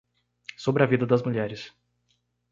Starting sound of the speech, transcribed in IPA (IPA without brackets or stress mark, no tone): s